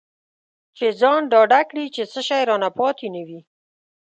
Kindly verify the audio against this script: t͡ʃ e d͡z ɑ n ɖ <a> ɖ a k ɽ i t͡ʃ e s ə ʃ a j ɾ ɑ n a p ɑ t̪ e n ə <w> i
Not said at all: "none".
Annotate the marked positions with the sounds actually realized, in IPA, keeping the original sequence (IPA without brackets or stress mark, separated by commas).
ɑ, w